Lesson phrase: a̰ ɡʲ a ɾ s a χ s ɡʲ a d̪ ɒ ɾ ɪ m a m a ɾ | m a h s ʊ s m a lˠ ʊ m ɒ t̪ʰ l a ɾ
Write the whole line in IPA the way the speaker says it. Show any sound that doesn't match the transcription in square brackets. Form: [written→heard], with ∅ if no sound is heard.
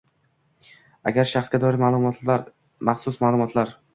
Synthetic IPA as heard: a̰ ɡʲ a ɾ [s→ʃ] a χ s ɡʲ a d̪ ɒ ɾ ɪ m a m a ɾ | m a [h→χ] s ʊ s m a lˠ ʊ m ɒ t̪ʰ l a ɾ